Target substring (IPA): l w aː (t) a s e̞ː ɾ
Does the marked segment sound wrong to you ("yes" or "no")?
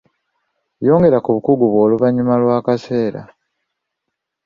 yes